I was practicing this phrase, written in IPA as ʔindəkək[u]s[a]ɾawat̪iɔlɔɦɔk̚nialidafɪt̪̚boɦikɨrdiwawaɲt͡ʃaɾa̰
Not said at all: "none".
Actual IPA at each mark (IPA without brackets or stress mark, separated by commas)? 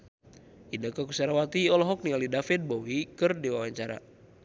u, a